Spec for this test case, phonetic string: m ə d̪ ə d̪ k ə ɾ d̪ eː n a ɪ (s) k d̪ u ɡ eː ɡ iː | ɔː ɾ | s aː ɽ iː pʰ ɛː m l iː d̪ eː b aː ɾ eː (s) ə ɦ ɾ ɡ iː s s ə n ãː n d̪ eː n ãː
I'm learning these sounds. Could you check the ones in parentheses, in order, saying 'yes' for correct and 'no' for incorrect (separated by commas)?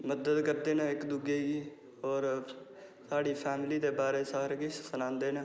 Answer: no, yes